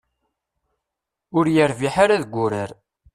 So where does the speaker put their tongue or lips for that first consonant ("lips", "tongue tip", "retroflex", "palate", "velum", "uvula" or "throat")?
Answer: tongue tip